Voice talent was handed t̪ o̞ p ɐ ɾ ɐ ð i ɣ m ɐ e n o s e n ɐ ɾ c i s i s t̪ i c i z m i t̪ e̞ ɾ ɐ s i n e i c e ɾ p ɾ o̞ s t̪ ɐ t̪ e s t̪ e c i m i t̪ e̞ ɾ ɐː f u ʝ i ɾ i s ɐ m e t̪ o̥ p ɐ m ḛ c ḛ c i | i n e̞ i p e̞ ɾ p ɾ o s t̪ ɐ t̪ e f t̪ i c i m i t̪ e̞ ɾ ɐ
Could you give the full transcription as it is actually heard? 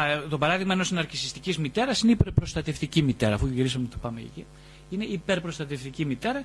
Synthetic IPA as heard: t̪ o̞ p ɐ ɾ ɐ ð i ɣ m ɐ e n o s i n ɐ ɾ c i s i s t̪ i c i z m i t̪ e̞ ɾ ɐ s i n e i p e ɾ p ɾ o̞ s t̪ ɐ t̪ e f t̪ i c i m i t̪ e̞ ɾ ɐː f u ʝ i ɾ i s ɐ m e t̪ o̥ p ɐ m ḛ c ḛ c i | i n e̞ i p e̞ ɾ p ɾ o s t̪ ɐ t̪ e f t̪ i c i m i t̪ e̞ ɾ ɐ